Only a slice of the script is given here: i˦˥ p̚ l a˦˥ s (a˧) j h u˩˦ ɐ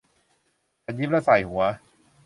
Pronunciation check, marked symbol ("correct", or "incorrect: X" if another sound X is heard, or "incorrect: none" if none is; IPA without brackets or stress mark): incorrect: a˨˩